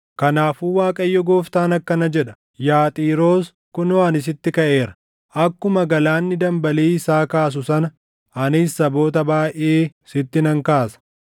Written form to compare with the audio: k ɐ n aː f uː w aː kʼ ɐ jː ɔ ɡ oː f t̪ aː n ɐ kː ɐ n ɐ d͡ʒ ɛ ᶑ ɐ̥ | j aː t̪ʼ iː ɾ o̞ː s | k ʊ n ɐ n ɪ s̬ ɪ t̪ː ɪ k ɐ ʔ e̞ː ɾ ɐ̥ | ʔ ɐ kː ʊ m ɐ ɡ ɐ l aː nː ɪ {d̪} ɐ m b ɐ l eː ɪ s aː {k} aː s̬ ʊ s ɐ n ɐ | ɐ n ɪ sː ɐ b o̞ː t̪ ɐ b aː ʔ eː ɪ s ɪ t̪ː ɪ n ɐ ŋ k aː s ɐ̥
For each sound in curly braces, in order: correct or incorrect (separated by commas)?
correct, correct